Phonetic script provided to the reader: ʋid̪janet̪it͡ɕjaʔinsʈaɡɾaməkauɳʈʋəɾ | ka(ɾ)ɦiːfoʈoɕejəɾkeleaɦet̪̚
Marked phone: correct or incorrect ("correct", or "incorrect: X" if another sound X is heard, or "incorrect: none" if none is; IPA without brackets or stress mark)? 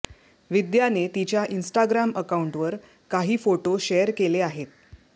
incorrect: none